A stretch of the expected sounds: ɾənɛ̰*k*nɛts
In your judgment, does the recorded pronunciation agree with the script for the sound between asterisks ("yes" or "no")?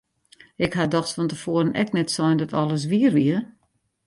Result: yes